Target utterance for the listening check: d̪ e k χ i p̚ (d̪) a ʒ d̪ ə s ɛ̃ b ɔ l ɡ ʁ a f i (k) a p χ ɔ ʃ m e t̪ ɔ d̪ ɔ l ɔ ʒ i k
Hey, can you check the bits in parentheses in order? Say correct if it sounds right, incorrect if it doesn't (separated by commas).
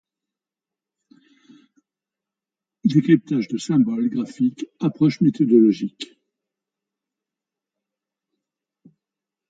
incorrect, correct